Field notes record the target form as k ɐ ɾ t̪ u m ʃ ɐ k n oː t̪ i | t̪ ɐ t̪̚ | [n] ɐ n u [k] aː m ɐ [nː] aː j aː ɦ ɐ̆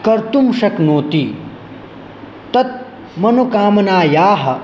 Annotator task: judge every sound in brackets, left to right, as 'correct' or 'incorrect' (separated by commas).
incorrect, correct, incorrect